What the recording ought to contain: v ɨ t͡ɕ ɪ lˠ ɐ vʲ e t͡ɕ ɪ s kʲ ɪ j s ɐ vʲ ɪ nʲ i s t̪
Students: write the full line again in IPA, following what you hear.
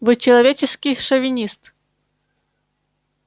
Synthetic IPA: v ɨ t͡ɕ ɪ lˠ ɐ vʲ e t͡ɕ ɪ s kʲ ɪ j ʂ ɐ vʲ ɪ nʲ i s t̪